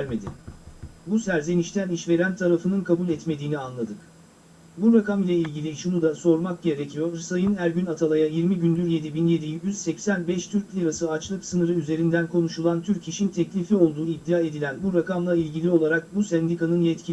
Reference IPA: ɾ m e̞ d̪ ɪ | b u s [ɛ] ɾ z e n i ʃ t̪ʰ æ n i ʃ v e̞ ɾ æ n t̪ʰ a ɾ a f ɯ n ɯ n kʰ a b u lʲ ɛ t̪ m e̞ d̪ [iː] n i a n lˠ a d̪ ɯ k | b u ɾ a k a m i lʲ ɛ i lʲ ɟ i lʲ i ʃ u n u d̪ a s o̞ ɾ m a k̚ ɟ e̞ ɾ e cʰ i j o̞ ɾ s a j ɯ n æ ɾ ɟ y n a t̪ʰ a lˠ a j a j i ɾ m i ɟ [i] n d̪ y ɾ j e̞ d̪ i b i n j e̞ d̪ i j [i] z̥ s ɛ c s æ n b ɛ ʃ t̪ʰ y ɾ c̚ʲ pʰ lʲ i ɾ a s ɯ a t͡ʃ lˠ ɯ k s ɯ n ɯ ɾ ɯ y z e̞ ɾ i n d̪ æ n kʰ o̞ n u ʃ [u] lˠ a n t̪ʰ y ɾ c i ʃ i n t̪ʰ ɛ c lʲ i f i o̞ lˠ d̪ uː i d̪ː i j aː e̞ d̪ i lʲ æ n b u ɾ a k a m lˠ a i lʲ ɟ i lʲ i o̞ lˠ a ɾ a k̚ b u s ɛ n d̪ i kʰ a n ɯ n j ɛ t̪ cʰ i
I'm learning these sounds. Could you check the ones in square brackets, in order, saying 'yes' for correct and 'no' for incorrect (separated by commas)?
no, yes, no, no, yes